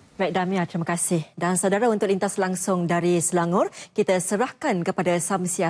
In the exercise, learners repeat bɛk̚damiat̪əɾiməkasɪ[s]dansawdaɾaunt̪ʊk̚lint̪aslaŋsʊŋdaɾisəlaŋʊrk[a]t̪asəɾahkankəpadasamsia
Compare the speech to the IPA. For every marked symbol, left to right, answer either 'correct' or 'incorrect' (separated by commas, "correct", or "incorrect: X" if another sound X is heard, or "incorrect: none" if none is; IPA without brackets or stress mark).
incorrect: h, incorrect: i